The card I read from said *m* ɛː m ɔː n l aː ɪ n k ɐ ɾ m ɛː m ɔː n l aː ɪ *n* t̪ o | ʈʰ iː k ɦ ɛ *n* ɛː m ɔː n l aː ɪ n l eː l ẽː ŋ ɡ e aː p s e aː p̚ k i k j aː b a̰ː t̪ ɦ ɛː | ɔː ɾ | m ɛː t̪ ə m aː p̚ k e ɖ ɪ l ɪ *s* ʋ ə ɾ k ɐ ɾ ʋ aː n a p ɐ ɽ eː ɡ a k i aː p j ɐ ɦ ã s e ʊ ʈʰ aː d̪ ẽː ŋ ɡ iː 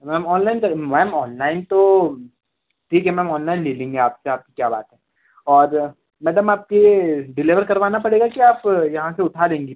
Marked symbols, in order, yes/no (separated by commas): yes, yes, no, no